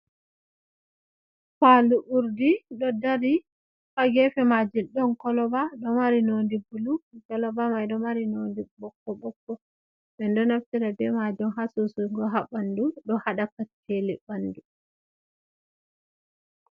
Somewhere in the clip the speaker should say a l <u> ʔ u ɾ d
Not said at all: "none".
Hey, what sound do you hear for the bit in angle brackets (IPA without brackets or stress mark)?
u